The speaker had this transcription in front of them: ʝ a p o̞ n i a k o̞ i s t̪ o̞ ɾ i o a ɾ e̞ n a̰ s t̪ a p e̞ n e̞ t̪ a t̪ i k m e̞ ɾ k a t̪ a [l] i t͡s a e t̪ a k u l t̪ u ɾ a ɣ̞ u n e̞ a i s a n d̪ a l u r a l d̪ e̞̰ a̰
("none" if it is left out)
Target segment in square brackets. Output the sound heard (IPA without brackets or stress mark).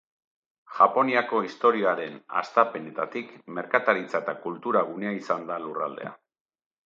ɾ